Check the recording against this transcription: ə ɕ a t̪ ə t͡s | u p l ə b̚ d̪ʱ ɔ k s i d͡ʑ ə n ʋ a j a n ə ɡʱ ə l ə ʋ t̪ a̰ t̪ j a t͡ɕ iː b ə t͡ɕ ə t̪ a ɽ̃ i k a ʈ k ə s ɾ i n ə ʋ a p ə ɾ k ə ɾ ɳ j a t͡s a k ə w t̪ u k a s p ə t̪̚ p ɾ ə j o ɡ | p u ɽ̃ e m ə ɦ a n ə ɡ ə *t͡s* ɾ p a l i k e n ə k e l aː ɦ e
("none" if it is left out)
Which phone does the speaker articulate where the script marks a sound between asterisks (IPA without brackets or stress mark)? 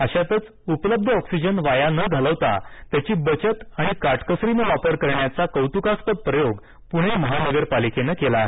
none